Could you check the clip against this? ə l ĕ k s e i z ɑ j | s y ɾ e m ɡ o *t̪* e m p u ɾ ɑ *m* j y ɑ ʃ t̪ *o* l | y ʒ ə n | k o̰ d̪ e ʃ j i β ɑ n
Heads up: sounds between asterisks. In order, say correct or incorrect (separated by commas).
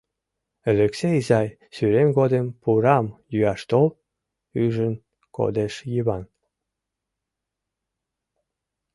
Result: incorrect, correct, correct